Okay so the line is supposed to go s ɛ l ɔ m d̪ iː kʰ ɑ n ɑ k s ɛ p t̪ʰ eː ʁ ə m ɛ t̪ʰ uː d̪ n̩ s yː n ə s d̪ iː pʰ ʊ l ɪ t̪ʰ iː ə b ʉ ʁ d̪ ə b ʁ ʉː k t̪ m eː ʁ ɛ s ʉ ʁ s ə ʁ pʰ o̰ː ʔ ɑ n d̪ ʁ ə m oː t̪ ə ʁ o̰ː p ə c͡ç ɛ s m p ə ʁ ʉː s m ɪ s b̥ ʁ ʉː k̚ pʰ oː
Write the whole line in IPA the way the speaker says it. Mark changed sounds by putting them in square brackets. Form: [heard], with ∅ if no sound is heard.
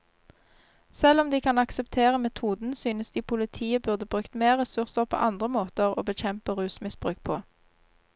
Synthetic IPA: s ɛ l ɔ m d̪ iː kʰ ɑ n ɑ k s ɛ p t̪ʰ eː ʁ ə m ɛ t̪ʰ uː d̪ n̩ s yː n ə s d̪ iː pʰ ʊ l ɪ t̪ʰ iː ə b ʉ ʁ d̪ ə b ʁ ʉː k t̪ m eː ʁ ɛ s ʉ ʁ s ə ʁ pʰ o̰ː ʔ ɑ n d̪ ʁ ə m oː t̪ ə ʁ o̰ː [b] ə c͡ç ɛ [∅] m p ə ʁ ʉː s m ɪ s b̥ ʁ ʉː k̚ pʰ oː